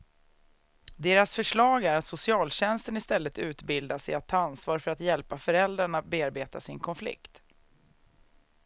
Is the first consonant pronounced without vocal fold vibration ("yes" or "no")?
no